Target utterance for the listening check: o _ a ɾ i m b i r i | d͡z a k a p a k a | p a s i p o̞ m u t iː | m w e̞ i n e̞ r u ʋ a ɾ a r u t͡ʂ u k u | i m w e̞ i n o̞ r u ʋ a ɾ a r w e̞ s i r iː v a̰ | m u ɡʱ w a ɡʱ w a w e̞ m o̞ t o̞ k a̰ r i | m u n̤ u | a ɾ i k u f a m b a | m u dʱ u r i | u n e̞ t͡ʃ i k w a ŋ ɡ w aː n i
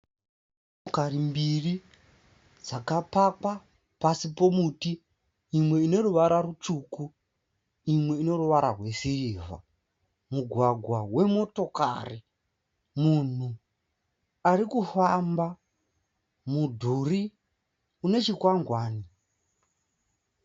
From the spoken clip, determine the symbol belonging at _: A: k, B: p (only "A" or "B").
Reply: A